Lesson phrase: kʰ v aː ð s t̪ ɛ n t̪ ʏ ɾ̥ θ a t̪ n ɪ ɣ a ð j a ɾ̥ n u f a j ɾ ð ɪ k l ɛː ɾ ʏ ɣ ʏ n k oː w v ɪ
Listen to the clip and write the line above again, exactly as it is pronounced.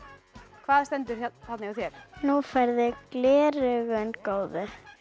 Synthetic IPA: kʰ v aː ð s t̪ ɛ n t̪ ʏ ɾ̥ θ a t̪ n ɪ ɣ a θ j ɛ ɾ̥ n u f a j ɾ ð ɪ k l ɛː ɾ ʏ ɣ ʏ n k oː w ð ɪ